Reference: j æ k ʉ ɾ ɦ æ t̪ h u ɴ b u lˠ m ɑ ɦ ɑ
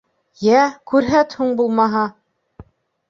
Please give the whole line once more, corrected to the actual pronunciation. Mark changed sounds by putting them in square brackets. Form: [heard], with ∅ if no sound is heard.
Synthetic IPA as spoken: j æ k ʉ ɾ ɦ æ t̪ h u ɴ b u lˠ m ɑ ɦ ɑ